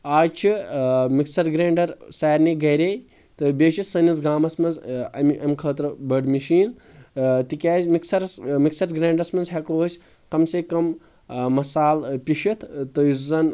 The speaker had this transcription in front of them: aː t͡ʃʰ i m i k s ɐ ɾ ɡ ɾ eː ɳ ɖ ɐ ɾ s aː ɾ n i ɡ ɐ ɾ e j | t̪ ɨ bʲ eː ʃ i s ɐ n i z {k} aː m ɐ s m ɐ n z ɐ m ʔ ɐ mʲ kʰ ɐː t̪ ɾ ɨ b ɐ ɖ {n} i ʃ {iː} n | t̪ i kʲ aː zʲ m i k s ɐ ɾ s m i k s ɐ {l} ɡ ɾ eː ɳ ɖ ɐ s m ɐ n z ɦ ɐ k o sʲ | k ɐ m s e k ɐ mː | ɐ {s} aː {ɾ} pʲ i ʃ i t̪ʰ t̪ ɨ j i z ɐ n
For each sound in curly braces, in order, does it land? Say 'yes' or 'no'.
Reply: no, no, yes, no, yes, no

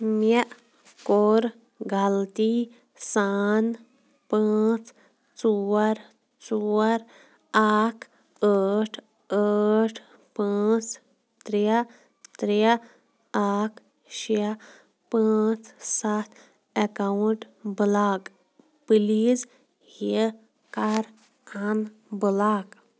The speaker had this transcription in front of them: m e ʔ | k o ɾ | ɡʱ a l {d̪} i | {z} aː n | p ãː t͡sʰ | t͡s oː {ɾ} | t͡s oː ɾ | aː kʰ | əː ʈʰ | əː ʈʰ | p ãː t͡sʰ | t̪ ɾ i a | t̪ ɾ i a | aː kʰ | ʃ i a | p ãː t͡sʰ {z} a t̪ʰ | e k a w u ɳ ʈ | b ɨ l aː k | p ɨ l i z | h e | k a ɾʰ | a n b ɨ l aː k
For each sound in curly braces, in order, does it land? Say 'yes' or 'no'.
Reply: no, no, yes, no

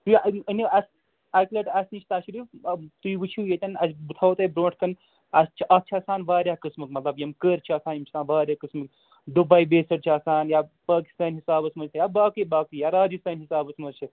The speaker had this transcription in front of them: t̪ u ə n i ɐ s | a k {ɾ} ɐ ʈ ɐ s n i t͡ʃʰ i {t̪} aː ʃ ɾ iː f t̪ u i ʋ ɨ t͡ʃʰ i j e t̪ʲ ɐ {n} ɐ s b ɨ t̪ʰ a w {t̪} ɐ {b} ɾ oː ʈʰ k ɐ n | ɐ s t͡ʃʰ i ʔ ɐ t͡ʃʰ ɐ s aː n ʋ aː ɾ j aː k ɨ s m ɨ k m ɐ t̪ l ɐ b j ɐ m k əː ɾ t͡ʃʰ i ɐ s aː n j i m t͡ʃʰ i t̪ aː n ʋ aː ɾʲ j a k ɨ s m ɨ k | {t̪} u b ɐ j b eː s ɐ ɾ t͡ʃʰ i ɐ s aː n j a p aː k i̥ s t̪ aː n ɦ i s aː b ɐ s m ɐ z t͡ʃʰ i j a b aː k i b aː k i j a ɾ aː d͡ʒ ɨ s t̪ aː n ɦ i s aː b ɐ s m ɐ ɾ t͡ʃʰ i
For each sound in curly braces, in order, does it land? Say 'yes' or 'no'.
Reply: no, yes, yes, yes, yes, no

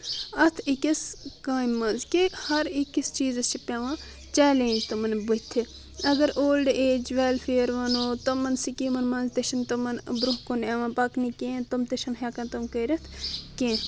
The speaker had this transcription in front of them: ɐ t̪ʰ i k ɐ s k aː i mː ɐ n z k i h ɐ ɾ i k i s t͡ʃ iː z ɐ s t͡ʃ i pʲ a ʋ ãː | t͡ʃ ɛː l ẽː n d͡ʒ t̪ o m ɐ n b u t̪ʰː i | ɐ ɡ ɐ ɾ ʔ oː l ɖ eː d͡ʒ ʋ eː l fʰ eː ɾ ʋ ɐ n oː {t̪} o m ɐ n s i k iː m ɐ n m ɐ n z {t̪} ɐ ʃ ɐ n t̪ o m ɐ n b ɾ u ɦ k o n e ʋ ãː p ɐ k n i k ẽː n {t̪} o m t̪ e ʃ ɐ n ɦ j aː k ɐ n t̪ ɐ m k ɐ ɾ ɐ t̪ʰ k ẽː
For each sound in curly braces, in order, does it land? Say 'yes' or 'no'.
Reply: yes, yes, yes

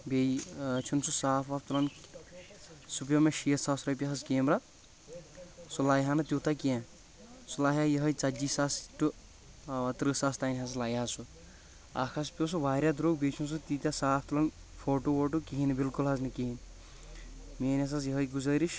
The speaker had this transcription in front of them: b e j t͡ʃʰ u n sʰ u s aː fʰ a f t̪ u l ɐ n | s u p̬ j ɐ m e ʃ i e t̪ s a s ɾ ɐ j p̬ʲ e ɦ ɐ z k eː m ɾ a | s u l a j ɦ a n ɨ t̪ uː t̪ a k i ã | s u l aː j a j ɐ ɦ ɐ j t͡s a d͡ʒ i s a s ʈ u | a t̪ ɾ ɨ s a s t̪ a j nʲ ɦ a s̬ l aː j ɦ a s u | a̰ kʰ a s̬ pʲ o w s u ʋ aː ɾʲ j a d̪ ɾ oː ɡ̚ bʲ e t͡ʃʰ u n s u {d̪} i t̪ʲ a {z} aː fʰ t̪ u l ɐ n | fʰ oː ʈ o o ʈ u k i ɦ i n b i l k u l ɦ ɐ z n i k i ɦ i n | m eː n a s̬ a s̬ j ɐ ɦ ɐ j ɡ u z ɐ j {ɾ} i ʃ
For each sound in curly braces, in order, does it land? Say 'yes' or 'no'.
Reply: no, no, yes

